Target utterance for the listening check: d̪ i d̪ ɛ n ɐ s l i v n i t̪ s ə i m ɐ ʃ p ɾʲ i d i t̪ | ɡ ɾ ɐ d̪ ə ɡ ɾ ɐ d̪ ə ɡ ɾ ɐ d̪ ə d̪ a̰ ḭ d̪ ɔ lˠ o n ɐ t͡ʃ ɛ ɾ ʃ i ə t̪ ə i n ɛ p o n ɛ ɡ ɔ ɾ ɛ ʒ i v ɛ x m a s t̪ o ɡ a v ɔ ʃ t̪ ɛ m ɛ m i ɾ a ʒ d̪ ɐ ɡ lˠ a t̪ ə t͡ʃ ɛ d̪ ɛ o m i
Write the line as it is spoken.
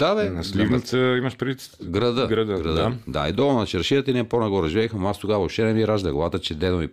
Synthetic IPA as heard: d̪ a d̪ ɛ n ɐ s l i v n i t̪ s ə i m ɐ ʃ p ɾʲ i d i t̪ | ɡ ɾ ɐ d̪ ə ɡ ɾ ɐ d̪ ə ɡ ɾ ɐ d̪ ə d̪ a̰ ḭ d̪ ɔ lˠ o n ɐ t͡ʃ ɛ ɾ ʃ i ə t̪ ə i n ɛ p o n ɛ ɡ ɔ ɾ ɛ ʒ i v ɛ x m a s t̪ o ɡ a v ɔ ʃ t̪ ɛ n ɛ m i ɾ a ʒ d̪ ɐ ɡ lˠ a t̪ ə t͡ʃ ɛ d̪ ɛ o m i